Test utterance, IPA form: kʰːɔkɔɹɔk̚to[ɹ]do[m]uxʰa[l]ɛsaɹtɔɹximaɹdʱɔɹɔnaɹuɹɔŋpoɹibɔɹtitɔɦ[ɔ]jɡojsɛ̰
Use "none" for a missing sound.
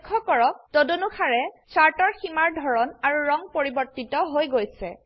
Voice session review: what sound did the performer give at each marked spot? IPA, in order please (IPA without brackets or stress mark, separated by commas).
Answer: none, n, ɹ, o